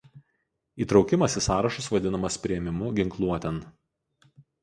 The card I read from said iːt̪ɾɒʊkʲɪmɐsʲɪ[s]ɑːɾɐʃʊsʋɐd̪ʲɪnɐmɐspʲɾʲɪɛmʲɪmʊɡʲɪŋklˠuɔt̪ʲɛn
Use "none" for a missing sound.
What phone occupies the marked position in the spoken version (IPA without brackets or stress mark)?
s